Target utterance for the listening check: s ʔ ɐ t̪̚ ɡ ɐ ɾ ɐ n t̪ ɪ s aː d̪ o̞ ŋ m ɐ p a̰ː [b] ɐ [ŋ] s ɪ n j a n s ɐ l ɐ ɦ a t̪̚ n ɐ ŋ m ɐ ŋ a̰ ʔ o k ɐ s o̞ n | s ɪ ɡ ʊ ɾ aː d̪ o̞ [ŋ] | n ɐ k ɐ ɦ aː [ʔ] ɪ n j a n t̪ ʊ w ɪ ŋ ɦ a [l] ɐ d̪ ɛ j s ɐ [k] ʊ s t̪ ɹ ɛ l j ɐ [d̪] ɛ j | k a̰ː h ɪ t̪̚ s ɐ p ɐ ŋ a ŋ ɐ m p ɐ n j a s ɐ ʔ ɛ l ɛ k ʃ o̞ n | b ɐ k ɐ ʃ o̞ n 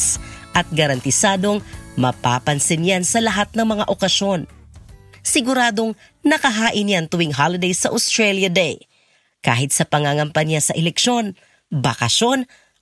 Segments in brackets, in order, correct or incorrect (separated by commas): incorrect, incorrect, correct, correct, correct, incorrect, correct